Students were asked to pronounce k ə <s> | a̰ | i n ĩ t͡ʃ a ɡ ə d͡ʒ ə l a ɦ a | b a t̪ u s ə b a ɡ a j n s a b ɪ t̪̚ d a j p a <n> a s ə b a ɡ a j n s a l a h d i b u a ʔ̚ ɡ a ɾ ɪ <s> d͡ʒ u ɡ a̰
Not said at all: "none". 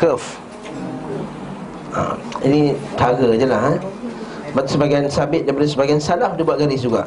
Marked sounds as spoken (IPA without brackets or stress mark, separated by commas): f, d, s